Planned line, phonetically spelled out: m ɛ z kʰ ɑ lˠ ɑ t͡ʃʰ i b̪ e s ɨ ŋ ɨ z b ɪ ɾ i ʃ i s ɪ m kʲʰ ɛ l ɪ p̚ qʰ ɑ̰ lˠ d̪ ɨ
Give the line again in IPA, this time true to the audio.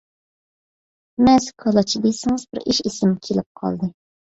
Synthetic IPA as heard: m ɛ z kʰ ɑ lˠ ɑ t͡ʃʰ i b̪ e s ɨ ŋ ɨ z b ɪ ɾ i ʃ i s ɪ m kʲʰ e l ɪ p̚ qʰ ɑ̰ lˠ d̪ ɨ